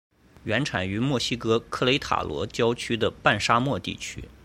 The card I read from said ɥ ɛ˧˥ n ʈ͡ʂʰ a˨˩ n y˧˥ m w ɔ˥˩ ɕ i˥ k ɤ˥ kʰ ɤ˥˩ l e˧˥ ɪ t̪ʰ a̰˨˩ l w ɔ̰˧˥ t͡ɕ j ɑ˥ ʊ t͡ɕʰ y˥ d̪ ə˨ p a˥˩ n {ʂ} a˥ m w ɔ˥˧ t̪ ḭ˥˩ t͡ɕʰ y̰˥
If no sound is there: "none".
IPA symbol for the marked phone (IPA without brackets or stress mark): ʂ